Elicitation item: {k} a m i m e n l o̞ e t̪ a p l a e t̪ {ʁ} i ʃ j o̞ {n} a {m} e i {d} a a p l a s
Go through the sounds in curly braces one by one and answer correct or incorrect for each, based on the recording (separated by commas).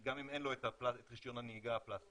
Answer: incorrect, correct, correct, incorrect, incorrect